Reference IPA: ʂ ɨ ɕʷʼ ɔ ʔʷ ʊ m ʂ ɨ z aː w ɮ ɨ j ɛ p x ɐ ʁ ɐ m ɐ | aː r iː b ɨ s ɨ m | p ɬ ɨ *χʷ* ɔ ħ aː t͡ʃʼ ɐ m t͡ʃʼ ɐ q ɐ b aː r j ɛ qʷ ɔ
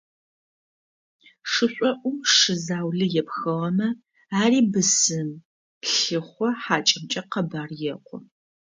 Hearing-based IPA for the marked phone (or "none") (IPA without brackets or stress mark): χʷ